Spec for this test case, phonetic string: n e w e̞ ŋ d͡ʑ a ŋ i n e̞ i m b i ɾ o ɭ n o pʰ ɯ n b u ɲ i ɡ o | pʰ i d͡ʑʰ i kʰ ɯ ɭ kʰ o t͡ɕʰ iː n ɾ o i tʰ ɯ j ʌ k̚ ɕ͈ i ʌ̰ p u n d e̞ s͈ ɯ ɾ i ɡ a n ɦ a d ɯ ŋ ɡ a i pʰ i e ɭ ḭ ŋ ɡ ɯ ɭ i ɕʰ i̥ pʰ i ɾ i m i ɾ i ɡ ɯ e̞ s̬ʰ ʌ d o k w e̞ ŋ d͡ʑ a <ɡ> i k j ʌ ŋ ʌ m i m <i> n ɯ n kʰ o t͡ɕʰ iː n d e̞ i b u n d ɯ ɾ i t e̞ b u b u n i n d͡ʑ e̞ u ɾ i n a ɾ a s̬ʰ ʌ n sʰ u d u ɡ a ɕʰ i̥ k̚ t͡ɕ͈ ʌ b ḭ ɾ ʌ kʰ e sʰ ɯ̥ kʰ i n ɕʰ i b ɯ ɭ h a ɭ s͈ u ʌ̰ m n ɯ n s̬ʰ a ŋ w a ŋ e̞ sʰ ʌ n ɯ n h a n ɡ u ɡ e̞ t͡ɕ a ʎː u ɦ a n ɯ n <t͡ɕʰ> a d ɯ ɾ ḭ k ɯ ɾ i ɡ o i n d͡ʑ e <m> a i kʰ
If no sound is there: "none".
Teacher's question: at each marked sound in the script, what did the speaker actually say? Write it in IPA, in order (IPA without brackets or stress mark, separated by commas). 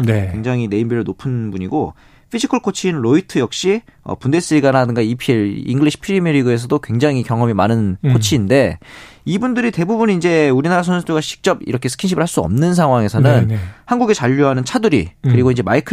ŋ, a, t͡ɕʰ, m